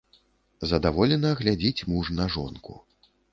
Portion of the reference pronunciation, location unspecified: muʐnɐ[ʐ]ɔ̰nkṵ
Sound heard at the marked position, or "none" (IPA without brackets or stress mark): ʐ